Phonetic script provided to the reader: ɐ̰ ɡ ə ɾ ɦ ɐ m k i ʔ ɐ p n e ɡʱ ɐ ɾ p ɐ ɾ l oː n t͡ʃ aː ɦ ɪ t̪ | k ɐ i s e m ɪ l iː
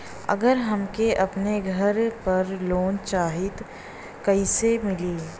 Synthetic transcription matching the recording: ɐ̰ ɡ ə ɾ ɦ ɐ m k e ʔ ɐ p n e ɡʱ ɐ ɾ p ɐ ɾ l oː n t͡ʃ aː ɦ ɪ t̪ | k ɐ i s e m ɪ l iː